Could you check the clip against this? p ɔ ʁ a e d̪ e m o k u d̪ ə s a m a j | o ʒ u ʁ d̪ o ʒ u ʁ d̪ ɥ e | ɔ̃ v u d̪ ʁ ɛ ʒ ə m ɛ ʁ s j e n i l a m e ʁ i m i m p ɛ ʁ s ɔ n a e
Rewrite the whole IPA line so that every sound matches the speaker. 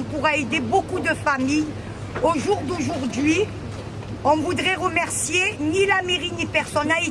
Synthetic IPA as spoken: p u ʁ a e d̪ e b o k u d̪ ə f a m i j | o ʒ u ʁ d̪ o ʒ u ʁ d̪ ɥ i | ɔ̃ v u d̪ ʁ ɛ ʁ ə m ɛ ʁ s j e n i l a m e ʁ i n i p ɛ ʁ s ɔ n a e